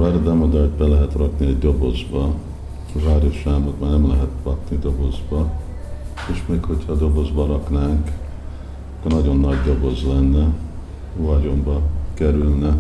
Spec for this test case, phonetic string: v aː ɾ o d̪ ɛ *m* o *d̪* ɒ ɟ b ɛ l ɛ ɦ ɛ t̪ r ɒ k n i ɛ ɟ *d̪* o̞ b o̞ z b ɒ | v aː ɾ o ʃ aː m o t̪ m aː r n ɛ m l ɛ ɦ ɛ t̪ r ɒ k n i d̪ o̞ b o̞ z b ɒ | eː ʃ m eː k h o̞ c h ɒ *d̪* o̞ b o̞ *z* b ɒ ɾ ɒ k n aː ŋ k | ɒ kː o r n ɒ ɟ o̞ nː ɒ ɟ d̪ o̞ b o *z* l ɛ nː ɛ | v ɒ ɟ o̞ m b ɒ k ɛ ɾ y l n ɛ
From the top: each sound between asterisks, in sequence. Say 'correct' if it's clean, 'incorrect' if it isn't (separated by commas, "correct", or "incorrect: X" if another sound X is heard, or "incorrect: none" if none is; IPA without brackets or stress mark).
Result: correct, correct, correct, correct, correct, correct